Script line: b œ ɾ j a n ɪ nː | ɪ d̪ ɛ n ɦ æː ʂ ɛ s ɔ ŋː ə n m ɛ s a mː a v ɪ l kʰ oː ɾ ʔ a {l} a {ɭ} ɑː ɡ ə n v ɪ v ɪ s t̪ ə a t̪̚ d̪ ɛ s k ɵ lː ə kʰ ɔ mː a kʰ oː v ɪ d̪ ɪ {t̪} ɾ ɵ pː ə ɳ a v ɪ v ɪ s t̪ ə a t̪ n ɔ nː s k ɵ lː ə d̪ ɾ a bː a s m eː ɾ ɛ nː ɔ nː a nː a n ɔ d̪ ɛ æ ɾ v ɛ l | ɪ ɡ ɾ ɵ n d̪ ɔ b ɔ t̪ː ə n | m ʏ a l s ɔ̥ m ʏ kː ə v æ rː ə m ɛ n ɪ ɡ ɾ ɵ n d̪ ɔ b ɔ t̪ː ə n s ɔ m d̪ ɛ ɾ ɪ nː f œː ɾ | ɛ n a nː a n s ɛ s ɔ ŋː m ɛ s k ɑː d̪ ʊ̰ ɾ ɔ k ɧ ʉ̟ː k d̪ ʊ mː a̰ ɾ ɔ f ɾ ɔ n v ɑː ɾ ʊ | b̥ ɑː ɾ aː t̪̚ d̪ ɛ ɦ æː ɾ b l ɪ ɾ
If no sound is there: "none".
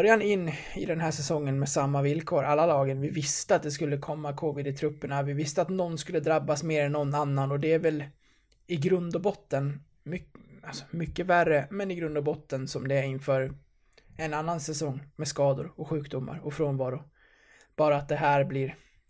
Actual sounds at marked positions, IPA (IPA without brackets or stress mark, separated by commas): lː, l, t̪ʰ